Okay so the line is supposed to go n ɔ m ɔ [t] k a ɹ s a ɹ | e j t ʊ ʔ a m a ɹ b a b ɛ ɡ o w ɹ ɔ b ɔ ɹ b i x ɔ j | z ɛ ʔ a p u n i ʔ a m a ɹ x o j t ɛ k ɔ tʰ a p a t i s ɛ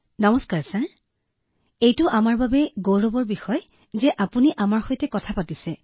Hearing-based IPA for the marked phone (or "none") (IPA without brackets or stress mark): s